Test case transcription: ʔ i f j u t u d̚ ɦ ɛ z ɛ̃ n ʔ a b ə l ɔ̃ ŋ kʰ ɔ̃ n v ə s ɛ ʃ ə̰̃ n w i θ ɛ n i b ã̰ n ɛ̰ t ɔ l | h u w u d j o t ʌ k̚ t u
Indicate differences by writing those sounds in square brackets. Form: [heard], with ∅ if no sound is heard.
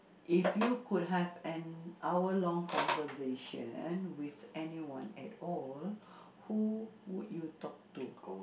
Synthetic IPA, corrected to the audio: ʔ i f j u [k] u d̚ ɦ ɛ [v] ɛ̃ n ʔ a [w] ə l ɔ̃ ŋ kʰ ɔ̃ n v ə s [e] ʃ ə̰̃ n w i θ ɛ n i [w] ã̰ n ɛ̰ t ɔ l | h u w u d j [u] t [ɔ] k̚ t u

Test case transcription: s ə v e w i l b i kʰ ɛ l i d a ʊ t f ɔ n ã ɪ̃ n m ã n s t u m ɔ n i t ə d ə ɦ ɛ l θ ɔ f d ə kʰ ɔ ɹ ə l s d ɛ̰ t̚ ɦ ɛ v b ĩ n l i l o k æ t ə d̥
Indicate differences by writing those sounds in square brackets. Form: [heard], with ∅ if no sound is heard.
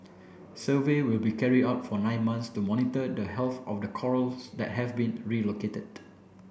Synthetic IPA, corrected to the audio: s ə v e w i l b i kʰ ɛ [ɹ] i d a ʊ t f ɔ n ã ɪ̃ n m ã n s t u m ɔ n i t ə d ə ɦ ɛ l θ ɔ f d ə kʰ ɔ ɹ ə l s d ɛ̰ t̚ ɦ ɛ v b ĩ n [ɹ] i l o k [e] t ə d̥

